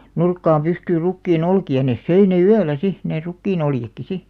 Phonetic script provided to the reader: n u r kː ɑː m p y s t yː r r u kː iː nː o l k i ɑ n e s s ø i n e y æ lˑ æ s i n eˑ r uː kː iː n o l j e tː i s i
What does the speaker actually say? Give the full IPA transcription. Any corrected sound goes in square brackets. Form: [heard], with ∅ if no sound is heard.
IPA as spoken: n u r kː ɑː m p y s t yː r r u kː iː [n] o l k i ɑ n e s s ø i n e y æ lˑ æ s i n eˑ r [u] kː iː n o l j e [kː] i s i